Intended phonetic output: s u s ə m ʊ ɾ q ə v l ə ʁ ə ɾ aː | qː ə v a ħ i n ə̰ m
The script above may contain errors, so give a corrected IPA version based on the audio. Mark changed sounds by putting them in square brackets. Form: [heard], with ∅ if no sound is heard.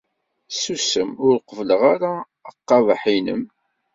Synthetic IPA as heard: s u s ə m ʊ ɾ q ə v l ə ʁ [a] ɾ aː | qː [ɑ] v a ħ i n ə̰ m